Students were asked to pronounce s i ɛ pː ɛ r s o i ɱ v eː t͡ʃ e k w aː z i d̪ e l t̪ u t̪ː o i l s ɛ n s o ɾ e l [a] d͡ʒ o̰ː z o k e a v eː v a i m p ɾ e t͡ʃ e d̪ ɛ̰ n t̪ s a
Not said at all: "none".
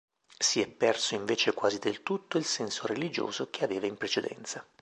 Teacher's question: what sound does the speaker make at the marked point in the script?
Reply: i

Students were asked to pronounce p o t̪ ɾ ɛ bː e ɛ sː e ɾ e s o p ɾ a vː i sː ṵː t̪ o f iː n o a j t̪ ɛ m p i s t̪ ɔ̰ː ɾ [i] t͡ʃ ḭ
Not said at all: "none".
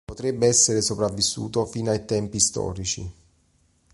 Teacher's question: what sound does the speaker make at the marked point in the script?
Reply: i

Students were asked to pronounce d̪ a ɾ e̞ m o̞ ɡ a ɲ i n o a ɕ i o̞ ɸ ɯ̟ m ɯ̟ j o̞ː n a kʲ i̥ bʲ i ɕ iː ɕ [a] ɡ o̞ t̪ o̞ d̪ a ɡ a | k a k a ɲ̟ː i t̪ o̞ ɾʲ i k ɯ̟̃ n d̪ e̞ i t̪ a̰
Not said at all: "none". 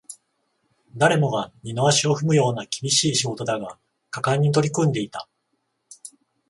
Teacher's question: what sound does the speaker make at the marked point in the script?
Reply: i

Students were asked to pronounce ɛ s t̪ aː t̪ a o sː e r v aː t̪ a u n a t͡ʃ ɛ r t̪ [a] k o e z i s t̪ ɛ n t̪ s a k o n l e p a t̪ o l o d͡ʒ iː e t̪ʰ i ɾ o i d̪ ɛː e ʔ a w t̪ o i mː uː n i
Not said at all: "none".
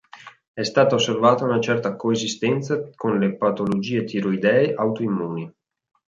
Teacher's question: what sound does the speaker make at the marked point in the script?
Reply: a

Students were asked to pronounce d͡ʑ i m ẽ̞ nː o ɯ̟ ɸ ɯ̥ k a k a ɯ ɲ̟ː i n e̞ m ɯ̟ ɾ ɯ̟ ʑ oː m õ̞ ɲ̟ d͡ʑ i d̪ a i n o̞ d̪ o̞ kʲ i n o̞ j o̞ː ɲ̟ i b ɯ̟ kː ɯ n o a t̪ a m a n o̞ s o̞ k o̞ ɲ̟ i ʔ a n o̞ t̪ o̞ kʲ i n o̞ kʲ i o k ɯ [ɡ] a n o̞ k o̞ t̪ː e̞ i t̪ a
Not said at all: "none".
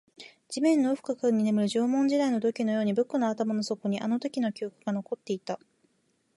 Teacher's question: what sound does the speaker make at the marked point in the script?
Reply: ɡ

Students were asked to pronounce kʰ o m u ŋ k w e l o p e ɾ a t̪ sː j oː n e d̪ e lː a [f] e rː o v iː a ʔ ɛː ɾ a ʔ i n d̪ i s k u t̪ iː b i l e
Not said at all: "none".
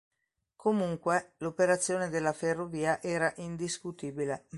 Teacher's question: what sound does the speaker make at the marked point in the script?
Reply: f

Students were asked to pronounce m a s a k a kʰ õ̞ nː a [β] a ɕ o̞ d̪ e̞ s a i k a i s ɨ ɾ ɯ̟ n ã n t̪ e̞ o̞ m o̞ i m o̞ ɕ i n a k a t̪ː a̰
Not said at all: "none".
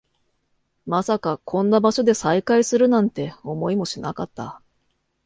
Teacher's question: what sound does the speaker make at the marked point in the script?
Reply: b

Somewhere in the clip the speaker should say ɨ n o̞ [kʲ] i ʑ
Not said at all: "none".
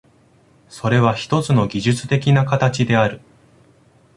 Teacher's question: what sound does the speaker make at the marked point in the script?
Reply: ɡʲ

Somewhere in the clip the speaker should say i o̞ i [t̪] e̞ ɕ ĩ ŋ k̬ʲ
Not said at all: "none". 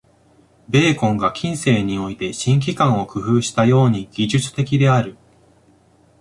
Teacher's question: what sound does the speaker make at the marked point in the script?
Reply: t̪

